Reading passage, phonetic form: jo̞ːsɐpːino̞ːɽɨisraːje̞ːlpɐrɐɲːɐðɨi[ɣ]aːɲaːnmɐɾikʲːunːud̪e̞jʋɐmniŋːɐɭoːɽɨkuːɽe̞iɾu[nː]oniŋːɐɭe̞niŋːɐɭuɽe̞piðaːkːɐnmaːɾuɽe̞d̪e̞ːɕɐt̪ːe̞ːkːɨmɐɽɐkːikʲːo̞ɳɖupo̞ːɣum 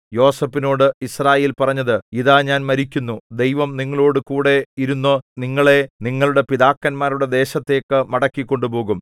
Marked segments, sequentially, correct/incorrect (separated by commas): incorrect, correct